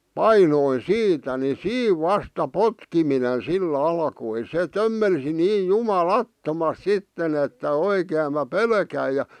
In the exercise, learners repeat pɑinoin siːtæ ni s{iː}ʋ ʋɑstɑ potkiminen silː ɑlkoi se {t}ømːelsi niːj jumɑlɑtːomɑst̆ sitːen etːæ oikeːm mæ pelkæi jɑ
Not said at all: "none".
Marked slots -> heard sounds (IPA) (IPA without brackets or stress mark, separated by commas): iː, t